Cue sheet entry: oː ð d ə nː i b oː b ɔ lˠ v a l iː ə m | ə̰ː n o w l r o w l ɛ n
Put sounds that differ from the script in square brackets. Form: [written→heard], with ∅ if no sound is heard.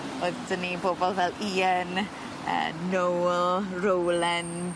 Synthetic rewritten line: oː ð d ə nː i b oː b ɔ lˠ v [a→ɛ] l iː ə [m→n] | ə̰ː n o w l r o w l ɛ n